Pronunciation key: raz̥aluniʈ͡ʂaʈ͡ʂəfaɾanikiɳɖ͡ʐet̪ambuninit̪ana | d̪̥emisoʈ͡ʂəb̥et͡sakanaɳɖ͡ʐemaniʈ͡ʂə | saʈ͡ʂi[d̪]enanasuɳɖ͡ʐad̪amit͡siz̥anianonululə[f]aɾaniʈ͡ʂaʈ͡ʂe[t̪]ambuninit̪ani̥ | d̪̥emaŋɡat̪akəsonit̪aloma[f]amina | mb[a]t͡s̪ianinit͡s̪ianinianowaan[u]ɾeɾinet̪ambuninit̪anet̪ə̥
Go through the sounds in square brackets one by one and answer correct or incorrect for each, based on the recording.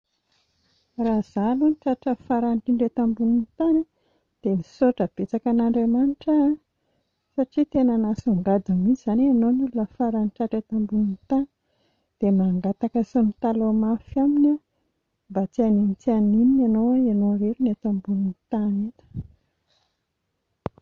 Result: incorrect: t̪, correct, correct, correct, correct, incorrect: o

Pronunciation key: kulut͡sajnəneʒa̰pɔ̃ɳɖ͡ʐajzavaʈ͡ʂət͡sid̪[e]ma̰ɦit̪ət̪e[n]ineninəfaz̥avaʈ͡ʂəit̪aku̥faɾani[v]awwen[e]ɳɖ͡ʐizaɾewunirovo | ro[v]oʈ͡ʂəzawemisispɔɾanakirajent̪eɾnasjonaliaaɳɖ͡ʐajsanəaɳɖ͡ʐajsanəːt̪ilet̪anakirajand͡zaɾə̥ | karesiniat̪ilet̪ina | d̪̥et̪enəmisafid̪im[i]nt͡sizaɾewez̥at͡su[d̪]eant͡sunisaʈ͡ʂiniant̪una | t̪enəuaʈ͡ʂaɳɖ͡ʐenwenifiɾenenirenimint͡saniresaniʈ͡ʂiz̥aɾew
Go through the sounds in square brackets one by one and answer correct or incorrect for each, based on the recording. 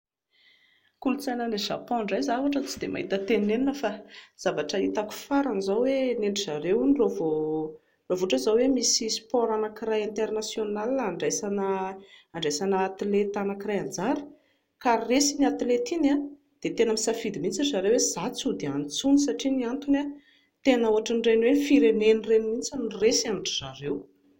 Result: correct, correct, incorrect: z, correct, correct, correct, correct

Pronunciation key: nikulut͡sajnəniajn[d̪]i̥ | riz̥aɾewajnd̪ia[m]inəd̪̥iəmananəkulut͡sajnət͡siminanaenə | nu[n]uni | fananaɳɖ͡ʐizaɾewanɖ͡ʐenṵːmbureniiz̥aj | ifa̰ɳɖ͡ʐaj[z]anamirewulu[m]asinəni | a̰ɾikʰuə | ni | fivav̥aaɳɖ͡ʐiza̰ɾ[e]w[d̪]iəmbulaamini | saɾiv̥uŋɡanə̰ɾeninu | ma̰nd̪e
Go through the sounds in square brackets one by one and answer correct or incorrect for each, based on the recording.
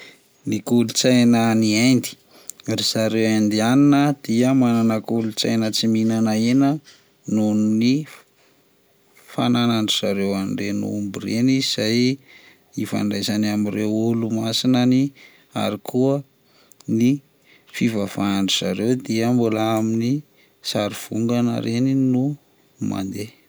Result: correct, incorrect: n, correct, correct, correct, correct, correct

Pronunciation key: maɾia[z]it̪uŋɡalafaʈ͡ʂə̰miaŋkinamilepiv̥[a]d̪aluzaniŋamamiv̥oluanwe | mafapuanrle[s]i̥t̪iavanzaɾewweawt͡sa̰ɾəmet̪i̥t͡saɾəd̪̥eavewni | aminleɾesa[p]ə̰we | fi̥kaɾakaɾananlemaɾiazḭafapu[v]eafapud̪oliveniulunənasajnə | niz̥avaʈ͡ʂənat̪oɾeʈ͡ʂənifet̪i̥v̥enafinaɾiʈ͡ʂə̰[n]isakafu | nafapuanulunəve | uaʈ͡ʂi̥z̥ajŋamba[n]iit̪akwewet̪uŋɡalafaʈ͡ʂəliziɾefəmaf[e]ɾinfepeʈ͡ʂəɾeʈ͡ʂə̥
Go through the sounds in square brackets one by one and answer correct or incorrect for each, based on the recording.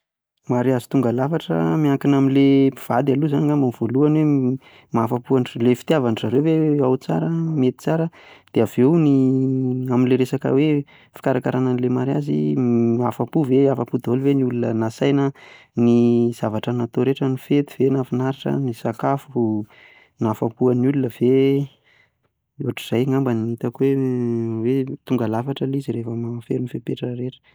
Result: correct, correct, incorrect: f, incorrect: k, correct, correct, correct, correct

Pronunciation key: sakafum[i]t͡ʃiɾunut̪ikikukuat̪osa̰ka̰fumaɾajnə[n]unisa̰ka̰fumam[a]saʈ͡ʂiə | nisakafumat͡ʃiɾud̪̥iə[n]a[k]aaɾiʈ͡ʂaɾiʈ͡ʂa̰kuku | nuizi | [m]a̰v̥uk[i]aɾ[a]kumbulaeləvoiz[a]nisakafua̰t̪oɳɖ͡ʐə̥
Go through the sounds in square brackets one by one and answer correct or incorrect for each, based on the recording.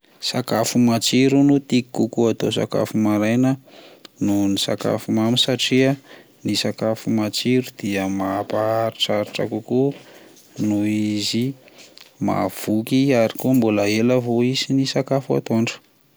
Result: incorrect: a, correct, incorrect: i, incorrect: m, incorrect: p, correct, correct, incorrect: i, incorrect: i

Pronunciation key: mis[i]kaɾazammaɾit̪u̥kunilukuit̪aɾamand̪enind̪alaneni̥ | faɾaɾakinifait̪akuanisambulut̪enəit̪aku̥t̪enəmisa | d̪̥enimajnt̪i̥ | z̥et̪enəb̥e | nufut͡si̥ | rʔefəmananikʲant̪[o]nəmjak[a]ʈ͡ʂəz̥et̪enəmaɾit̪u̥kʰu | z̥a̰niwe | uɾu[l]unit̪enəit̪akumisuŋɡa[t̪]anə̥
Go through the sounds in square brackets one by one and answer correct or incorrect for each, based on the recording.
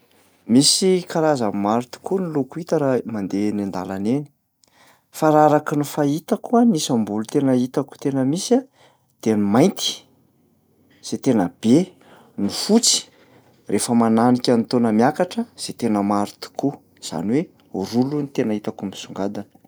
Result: correct, correct, correct, correct, incorrect: d̪

